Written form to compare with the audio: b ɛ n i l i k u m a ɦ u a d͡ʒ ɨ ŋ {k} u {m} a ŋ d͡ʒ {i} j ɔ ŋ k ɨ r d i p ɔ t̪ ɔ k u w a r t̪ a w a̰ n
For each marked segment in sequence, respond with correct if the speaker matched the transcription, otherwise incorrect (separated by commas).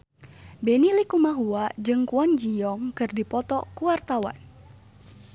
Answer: correct, incorrect, correct